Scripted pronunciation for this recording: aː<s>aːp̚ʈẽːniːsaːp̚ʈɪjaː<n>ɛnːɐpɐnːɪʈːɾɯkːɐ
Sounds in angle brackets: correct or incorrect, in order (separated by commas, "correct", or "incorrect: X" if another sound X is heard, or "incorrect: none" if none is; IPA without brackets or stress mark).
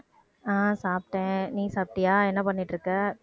correct, incorrect: none